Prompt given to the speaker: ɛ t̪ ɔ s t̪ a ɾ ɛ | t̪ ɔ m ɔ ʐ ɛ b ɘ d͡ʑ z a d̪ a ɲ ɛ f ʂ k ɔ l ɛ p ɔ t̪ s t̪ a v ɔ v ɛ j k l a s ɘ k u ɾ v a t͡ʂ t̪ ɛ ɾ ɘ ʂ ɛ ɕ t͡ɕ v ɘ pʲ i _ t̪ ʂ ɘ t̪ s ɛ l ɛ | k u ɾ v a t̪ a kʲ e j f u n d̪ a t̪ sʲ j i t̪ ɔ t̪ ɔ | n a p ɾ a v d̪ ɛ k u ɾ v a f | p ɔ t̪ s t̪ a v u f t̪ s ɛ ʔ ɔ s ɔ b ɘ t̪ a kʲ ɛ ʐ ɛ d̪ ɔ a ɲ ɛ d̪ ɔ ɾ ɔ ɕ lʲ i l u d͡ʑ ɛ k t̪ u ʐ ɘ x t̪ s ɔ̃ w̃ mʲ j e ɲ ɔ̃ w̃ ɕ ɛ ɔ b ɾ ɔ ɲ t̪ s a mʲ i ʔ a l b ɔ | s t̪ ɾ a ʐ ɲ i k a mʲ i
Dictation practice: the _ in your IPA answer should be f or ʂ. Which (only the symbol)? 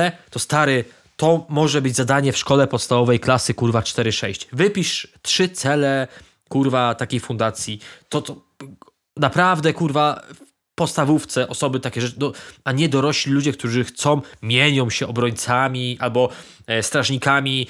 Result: ʂ